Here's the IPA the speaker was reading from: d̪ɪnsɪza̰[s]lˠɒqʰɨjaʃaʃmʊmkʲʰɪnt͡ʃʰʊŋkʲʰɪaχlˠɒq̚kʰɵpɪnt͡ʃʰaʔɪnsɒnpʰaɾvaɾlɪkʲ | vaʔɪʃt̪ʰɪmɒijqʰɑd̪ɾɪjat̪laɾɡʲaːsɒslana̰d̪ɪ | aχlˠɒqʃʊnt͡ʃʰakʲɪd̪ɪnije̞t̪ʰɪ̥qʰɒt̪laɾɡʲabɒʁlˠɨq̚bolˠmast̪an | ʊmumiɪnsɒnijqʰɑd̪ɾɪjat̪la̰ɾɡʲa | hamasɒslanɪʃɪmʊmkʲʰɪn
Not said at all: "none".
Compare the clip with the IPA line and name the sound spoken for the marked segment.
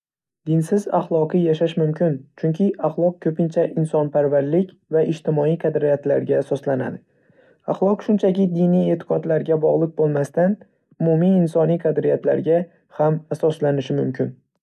χ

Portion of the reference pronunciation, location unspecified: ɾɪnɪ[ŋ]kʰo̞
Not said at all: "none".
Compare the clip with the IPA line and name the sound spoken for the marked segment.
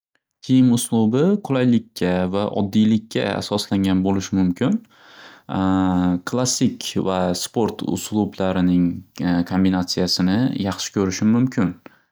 ŋ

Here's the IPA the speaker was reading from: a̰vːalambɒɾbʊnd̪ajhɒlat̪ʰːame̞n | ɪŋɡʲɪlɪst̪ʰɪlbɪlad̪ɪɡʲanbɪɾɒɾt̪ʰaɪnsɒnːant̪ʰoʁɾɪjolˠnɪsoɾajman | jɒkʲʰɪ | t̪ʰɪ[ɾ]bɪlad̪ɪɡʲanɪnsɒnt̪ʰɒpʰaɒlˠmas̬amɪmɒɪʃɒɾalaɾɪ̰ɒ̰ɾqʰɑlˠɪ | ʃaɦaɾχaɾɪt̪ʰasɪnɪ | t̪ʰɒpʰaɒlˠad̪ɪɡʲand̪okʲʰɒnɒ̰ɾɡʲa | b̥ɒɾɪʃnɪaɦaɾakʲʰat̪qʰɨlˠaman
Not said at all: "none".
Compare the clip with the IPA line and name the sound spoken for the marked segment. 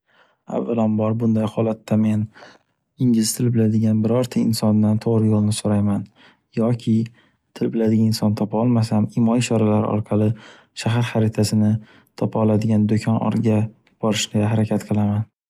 l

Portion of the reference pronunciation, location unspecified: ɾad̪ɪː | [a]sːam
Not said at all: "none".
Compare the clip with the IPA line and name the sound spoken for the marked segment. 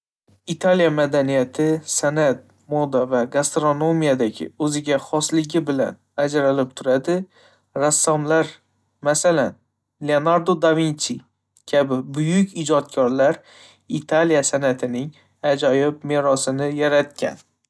a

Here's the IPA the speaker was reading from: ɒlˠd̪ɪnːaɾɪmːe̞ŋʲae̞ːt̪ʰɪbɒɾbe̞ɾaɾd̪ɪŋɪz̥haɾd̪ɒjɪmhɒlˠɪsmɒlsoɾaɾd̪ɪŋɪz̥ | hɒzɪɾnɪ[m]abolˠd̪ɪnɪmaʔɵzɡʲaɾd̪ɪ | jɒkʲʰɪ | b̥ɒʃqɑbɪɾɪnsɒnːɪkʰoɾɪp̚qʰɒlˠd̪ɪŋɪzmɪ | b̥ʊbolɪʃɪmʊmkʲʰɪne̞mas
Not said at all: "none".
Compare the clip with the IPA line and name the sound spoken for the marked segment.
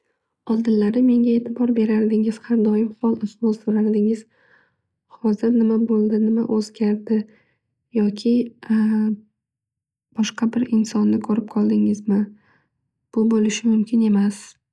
m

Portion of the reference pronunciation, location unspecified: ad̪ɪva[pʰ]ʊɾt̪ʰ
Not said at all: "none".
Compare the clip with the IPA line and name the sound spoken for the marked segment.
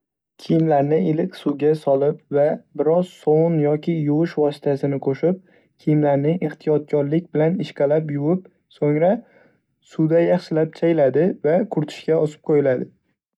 kʰ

